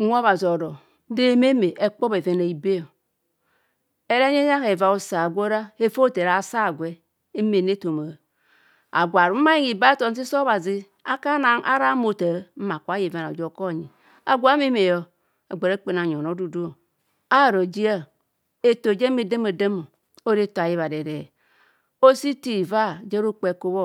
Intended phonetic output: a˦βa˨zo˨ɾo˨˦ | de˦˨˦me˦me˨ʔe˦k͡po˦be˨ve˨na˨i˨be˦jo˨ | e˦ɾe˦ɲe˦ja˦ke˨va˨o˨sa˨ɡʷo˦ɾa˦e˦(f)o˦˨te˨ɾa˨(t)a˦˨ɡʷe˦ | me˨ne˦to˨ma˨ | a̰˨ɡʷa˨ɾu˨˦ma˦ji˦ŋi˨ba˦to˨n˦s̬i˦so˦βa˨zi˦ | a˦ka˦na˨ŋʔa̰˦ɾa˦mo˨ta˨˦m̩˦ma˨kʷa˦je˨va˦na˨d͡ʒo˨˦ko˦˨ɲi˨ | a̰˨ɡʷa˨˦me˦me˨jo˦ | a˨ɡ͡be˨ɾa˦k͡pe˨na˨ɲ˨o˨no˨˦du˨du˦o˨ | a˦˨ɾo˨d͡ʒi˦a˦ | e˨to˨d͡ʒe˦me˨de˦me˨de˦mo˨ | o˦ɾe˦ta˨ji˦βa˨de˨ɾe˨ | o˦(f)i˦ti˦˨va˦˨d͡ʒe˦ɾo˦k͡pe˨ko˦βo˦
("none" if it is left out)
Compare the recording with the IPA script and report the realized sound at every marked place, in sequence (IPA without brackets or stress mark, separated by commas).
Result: f, s, s